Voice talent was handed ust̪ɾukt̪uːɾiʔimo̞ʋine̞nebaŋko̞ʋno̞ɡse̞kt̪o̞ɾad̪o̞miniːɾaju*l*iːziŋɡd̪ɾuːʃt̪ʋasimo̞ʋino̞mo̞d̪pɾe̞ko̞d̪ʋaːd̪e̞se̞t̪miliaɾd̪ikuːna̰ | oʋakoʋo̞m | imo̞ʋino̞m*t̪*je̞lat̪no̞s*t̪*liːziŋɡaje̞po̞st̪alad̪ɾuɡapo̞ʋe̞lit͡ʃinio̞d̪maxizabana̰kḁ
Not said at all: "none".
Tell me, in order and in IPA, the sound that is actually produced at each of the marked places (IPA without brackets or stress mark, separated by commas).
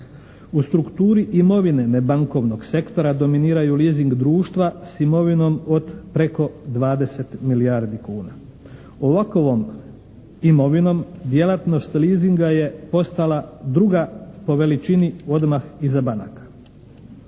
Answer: l, d̪, t̪